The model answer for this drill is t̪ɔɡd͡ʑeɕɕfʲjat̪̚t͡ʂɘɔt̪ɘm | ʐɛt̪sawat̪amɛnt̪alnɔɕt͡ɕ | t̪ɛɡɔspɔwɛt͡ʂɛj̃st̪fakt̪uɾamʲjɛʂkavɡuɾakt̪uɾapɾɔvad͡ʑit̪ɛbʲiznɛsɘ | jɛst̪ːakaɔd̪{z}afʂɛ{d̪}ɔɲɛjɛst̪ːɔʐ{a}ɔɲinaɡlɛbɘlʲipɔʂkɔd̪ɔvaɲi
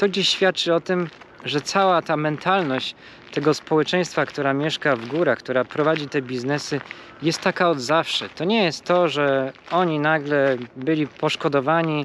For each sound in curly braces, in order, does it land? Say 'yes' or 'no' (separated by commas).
yes, no, no